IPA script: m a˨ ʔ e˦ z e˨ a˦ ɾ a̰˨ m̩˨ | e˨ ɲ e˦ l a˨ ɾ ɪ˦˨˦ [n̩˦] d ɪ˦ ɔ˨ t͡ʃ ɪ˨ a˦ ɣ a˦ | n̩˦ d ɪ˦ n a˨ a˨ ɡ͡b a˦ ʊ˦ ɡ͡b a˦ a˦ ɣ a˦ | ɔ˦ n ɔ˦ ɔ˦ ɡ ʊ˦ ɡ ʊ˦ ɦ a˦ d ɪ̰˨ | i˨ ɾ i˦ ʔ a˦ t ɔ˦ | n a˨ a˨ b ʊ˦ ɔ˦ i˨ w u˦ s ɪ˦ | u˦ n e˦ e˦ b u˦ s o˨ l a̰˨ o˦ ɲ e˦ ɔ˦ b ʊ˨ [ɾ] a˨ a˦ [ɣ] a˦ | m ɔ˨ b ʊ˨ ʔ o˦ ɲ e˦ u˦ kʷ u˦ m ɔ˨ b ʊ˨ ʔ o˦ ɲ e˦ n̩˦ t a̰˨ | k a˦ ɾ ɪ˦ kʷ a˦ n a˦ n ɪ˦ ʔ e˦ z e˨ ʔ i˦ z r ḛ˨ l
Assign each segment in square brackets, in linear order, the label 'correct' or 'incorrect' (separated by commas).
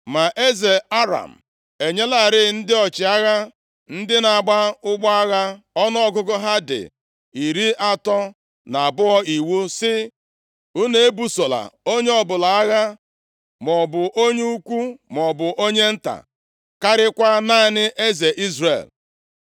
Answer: correct, incorrect, correct